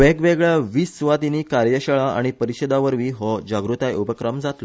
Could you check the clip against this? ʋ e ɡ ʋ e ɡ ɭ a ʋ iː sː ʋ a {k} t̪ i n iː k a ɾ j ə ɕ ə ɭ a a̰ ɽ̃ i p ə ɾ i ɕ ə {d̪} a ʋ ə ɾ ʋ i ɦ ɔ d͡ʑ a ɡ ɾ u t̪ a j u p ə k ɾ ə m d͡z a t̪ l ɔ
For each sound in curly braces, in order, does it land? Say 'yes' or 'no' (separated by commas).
no, yes